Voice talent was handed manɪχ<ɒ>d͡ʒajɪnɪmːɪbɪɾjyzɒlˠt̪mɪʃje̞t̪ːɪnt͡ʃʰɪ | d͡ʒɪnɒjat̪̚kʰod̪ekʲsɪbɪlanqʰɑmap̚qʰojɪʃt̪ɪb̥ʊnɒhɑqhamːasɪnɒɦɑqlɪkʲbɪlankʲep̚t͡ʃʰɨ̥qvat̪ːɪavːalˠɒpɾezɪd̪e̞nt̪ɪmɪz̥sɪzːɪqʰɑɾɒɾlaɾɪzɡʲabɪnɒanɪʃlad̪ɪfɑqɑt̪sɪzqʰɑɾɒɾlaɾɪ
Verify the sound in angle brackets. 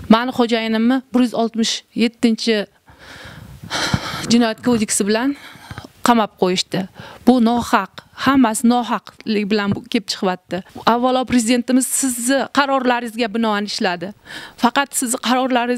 incorrect: o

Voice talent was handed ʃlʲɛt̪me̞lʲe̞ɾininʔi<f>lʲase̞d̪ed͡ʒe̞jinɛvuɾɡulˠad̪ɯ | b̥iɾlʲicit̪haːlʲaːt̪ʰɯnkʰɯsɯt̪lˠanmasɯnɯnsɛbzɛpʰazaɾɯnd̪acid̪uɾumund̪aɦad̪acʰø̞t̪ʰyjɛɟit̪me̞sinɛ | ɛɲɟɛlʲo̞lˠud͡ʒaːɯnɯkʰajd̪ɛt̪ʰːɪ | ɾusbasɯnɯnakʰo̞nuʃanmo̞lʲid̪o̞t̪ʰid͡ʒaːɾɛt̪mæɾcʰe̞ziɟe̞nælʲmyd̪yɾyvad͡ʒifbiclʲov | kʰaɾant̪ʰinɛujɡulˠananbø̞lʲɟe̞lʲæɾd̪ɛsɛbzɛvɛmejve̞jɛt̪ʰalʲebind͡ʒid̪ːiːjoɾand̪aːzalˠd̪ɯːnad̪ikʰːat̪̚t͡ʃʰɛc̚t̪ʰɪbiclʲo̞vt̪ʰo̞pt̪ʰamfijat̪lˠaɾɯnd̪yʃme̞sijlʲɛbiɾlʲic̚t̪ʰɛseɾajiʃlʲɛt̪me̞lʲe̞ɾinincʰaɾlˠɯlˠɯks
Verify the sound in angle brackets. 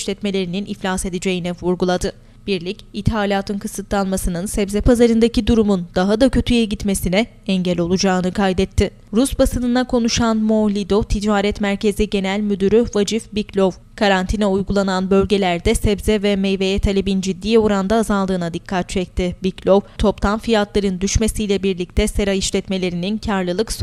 correct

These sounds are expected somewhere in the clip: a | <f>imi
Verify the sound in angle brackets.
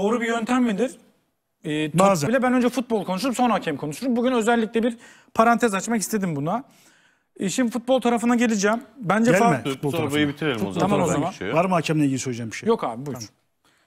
incorrect: ʃ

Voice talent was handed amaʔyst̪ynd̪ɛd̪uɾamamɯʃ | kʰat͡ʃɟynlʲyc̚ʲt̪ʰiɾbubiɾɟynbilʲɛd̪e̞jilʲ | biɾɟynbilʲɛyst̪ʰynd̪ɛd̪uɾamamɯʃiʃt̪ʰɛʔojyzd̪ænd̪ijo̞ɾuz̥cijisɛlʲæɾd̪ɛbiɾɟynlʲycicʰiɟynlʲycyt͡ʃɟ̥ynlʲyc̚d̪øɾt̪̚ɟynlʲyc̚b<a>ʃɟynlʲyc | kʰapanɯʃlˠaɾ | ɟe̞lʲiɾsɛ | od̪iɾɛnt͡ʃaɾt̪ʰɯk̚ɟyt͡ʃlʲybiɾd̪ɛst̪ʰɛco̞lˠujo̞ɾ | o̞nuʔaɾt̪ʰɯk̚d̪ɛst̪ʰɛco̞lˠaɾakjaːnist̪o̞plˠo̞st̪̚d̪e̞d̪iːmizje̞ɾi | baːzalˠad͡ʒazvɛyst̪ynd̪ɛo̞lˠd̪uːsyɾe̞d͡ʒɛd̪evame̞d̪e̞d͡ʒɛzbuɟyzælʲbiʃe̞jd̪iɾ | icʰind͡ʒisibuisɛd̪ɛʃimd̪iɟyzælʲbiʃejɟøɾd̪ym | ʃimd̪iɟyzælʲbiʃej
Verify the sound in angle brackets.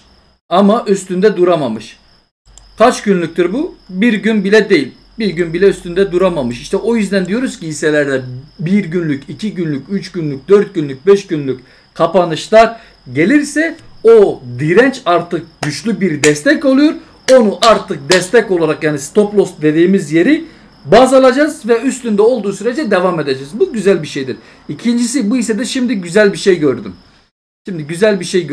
incorrect: ɛ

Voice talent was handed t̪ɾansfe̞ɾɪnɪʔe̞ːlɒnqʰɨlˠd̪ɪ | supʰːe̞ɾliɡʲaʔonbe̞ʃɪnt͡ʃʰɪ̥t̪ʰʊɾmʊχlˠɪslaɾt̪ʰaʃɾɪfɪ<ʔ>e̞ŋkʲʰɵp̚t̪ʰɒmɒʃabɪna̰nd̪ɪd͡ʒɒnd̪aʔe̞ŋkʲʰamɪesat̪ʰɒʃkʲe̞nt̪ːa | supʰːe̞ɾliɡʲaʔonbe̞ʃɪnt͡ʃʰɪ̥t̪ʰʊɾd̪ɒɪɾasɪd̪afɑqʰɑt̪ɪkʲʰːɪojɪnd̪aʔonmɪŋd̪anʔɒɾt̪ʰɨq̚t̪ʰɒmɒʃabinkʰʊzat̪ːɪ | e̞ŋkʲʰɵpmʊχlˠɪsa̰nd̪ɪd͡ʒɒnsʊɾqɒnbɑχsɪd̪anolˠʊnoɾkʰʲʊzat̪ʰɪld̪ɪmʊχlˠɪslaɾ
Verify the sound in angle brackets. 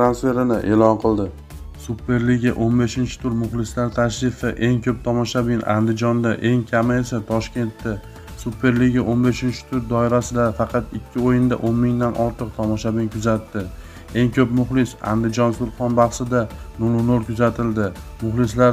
correct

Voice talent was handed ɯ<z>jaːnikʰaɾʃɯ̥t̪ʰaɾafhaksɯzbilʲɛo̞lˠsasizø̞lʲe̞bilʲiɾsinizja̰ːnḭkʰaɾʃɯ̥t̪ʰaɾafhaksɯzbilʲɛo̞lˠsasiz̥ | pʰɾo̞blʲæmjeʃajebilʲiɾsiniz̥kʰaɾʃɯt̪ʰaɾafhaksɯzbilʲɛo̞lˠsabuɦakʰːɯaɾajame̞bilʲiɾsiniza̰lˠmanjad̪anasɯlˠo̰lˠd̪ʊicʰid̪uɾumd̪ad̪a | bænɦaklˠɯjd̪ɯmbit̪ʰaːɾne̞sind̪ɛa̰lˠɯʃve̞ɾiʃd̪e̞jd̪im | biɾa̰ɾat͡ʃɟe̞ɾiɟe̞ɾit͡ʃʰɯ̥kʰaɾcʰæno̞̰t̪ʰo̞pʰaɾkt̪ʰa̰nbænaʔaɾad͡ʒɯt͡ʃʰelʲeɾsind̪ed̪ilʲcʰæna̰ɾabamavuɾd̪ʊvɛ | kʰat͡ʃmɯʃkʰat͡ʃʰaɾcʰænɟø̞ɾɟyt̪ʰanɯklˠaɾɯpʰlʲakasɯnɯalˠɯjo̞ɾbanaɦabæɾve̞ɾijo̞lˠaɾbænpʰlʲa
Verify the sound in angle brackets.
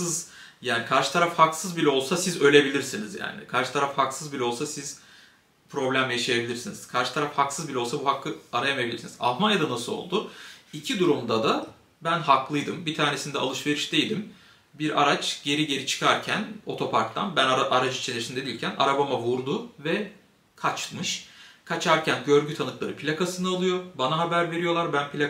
correct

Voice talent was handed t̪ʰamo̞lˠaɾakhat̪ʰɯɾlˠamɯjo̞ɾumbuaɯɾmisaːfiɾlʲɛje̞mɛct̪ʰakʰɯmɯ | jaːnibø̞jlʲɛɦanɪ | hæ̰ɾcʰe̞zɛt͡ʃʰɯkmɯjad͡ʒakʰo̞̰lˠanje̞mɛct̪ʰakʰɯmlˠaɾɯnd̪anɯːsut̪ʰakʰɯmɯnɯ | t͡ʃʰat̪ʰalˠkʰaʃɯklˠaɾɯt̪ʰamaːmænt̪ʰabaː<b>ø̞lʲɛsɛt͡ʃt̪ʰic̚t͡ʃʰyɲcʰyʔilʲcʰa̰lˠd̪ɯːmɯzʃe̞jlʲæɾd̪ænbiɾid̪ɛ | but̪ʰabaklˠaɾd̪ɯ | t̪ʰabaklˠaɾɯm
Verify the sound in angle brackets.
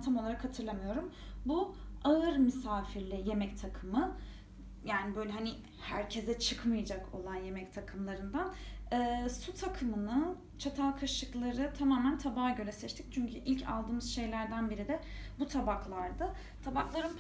incorrect: ɟ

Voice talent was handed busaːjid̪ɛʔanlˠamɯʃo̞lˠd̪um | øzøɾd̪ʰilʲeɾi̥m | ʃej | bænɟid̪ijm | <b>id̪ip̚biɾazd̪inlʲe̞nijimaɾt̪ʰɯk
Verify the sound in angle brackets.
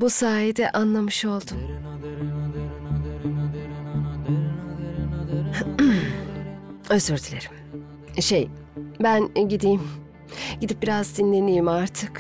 incorrect: ɟ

